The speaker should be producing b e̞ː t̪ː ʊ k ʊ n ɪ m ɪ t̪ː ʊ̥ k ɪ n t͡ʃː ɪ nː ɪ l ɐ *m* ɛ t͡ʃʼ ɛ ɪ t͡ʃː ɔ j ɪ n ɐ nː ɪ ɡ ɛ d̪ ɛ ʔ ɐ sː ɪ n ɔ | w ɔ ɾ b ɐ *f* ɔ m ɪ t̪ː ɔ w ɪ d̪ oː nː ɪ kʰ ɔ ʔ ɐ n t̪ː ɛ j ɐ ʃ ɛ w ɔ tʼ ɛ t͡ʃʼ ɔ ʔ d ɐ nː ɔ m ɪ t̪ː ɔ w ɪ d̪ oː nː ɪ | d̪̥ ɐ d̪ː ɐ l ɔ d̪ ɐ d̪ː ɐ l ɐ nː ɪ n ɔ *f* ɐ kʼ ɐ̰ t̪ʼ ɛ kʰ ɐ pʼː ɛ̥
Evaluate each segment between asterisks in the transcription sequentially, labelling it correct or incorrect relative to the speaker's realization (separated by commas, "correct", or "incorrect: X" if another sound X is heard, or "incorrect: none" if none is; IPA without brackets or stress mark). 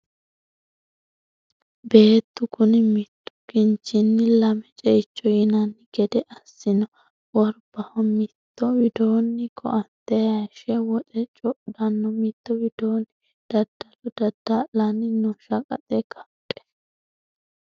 correct, incorrect: h, incorrect: ʃ